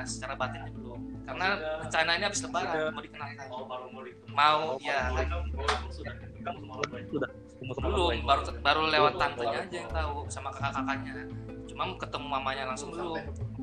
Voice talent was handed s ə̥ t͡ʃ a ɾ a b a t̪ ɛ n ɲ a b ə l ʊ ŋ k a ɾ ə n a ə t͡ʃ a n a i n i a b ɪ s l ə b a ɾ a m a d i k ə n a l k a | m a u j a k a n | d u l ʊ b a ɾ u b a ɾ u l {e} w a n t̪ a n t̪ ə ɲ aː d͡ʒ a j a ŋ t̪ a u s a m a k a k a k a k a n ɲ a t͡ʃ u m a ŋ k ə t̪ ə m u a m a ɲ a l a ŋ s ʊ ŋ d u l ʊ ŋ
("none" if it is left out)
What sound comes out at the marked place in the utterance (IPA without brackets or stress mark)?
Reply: e